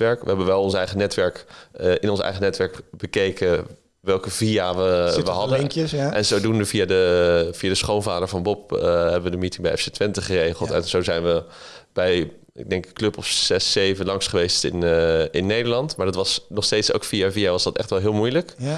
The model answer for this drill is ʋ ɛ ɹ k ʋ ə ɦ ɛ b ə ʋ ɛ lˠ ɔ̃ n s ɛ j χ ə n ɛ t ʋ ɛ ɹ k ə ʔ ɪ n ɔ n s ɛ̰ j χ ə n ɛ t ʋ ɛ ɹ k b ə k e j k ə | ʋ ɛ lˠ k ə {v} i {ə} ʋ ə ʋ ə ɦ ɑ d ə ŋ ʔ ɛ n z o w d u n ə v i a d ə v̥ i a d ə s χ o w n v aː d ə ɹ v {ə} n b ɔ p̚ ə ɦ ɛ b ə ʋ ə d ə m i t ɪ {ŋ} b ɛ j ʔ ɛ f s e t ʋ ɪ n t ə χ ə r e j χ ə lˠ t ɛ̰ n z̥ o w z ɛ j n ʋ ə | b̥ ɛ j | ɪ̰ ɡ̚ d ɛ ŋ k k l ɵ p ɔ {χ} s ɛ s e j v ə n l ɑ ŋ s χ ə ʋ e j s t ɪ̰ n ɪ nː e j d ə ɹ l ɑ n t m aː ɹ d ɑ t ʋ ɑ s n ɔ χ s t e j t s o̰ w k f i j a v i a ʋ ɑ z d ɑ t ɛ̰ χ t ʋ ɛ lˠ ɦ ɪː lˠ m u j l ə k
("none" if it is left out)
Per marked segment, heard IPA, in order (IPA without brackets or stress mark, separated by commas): v, a, ɑ, ŋ, f